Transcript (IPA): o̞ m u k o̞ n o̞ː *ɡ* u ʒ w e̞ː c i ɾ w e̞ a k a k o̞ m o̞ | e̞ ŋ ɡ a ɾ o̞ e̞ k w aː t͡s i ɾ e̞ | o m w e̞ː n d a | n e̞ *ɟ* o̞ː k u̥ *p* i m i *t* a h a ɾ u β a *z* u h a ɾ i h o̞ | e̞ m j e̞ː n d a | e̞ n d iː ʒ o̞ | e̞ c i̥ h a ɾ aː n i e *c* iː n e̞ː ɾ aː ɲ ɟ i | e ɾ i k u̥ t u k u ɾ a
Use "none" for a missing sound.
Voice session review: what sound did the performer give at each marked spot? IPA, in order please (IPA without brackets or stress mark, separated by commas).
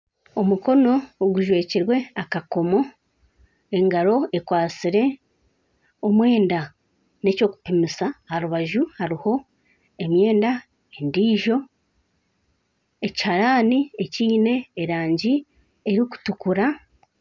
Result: ɡ, c, p, s, ʒ, c